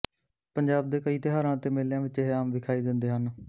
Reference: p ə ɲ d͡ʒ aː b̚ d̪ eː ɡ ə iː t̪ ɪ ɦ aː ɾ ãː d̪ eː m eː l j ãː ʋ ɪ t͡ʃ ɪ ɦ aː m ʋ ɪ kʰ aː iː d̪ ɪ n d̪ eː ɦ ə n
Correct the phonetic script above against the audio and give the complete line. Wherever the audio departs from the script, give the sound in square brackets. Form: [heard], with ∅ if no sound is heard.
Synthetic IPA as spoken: p ə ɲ d͡ʒ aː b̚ d̪ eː [k] ə iː t̪ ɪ ɦ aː ɾ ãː [t̪] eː m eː l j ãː ʋ ɪ t͡ʃ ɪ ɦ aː m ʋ ɪ kʰ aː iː d̪ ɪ n d̪ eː ɦ ə n